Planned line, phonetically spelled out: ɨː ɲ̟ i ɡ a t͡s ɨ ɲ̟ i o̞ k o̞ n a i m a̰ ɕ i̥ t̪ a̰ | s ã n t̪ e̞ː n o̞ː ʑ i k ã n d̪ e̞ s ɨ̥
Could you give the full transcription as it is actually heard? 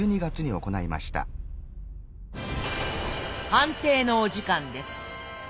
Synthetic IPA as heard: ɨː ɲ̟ i ɡ a t͡s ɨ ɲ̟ i o̞ k o̞ n a i m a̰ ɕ i̥ t̪ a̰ | h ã n t̪ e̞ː n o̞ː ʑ i k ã n d̪ e̞ s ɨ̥